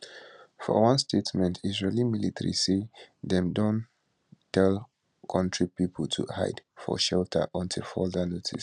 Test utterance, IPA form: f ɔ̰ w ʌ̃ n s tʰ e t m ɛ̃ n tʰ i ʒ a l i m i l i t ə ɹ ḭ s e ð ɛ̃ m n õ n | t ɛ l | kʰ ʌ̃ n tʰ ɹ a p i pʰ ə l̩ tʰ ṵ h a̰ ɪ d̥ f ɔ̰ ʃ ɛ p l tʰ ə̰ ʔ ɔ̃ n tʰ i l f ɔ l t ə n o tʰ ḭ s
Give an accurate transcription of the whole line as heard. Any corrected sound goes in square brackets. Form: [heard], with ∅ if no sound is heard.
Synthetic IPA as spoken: f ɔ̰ w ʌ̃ n s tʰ e t m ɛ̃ n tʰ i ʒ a l i m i l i t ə ɹ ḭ s e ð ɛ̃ m [d] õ n | t ɛ l | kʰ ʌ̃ n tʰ ɹ [i] p i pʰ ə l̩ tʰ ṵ h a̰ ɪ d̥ f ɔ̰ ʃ ɛ [∅] l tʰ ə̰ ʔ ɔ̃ n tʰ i l f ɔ l [d] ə n o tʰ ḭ s